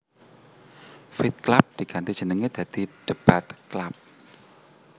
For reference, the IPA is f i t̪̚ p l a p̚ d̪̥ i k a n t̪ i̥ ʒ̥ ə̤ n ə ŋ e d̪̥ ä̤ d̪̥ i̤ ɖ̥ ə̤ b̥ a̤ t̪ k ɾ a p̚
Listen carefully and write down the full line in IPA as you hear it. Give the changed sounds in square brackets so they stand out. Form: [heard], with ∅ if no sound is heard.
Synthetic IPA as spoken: f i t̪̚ [k] l a p̚ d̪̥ i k a n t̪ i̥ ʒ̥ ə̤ n ə ŋ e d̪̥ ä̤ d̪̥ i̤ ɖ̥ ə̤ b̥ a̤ t̪ k [l] a p̚